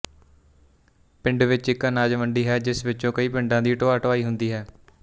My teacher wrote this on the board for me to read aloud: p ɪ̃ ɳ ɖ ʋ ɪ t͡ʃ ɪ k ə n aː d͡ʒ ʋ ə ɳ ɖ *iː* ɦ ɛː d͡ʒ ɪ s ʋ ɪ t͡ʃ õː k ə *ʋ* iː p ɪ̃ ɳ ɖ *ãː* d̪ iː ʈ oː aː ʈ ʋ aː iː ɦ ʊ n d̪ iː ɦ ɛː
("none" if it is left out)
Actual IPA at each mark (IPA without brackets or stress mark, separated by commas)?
iː, none, ãː